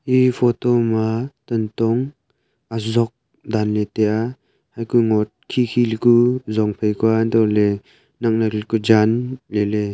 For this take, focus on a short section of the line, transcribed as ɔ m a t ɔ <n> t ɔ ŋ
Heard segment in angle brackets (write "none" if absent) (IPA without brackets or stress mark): n